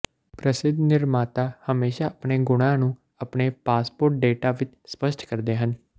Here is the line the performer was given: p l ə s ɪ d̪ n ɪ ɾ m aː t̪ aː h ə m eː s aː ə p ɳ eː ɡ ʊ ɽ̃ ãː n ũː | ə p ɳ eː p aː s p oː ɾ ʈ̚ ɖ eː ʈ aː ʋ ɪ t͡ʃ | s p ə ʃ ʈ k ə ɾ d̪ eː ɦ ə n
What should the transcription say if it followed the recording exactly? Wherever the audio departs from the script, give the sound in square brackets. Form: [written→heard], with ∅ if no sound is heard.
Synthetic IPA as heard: p [l→ɾ] ə s ɪ d̪ n ɪ ɾ m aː t̪ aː h ə m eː [s→ʃ] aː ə p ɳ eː ɡ ʊ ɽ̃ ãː n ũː | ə p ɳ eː p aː s p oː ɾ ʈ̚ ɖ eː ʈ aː ʋ ɪ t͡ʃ | s p ə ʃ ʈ k ə ɾ d̪ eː ɦ ə n

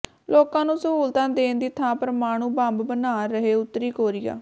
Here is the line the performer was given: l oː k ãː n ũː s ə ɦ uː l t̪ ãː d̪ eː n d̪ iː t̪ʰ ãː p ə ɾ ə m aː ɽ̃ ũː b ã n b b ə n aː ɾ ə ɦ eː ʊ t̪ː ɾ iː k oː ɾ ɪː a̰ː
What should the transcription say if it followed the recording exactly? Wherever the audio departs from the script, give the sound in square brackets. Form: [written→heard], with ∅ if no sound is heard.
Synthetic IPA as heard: l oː k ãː n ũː s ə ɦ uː l t̪ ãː d̪ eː n d̪ iː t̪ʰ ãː p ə ɾ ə m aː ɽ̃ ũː b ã [n→m] b b ə n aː ɾ ə ɦ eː ʊ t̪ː ɾ iː k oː ɾ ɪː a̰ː

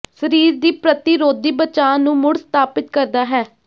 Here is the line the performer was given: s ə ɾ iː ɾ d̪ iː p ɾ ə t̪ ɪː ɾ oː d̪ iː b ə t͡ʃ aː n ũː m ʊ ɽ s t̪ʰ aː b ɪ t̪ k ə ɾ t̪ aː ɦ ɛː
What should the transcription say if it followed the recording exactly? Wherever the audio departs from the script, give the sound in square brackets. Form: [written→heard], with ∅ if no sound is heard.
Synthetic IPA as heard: s ə ɾ iː ɾ d̪ iː p ɾ ə t̪ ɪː ɾ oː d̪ iː b ə t͡ʃ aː n ũː m ʊ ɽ s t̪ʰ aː [b→p] ɪ t̪ k ə ɾ [t̪→d̪] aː ɦ ɛː

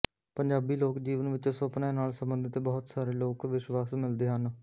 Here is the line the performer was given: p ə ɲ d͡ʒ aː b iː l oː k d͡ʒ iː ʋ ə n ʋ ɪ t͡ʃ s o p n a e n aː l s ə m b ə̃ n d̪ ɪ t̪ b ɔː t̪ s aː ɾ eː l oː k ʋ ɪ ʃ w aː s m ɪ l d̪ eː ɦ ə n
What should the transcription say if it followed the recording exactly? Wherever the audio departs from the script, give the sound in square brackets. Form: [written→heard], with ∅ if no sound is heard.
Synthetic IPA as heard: p ə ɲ d͡ʒ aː b iː l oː k d͡ʒ iː ʋ ə n ʋ ɪ t͡ʃ s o p n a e n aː l s ə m b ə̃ n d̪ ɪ t̪ b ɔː t̪ s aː ɾ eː l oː k ʋ ɪ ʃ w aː s m ɪ l d̪ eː ɦ ə n

